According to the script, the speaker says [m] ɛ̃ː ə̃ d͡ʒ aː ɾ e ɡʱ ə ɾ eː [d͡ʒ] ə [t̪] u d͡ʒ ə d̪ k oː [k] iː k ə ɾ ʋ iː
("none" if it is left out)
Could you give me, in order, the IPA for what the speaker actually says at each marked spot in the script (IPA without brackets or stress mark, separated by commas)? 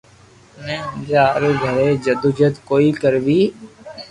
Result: n, d͡ʒ, d̪, none